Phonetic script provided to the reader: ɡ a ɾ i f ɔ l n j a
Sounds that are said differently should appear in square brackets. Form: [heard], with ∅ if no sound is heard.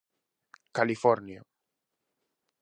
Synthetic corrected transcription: [k] a [l] i f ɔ [ɾ] n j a